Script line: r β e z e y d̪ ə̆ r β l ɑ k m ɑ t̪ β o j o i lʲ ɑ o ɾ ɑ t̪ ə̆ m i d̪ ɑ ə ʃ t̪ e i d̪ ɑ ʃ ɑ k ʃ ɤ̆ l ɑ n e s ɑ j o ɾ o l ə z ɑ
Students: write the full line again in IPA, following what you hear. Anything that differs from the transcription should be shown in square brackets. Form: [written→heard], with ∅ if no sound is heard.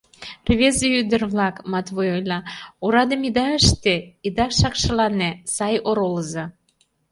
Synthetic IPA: r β e z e y d̪ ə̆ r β l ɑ k m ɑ t̪ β o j o [i→j] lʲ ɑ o ɾ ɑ [t̪→d̪] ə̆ m i d̪ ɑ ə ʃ t̪ e i d̪ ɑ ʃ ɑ k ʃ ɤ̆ l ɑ n e s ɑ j o ɾ o l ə z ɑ